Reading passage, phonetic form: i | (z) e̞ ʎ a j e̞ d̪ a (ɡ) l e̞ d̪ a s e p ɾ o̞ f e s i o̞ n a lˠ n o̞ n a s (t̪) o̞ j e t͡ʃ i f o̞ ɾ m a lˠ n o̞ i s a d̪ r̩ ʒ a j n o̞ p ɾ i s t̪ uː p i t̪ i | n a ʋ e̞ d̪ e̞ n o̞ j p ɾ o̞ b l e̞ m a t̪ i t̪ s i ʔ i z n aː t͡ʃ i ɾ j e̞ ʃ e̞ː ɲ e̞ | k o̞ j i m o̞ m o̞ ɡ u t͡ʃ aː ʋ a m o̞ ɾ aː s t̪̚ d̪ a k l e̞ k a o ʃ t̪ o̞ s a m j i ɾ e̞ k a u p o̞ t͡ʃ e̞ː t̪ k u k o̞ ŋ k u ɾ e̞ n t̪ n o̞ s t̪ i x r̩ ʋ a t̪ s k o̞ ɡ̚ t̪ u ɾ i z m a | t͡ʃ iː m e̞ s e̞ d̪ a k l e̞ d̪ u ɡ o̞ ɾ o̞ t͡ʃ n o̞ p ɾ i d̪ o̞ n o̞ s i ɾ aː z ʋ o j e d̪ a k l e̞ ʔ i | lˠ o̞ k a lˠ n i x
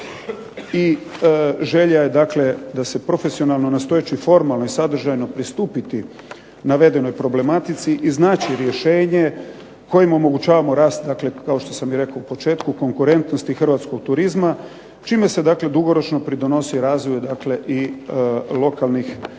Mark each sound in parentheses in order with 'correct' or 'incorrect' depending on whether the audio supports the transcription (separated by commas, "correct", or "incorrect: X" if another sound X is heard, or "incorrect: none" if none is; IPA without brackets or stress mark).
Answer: incorrect: ʒ, incorrect: k, correct